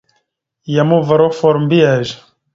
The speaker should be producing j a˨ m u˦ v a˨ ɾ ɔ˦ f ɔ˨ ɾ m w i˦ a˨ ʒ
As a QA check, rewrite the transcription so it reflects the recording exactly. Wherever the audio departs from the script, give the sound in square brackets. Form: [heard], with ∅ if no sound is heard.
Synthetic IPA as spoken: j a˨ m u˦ v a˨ ɾ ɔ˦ f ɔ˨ ɾ m [b] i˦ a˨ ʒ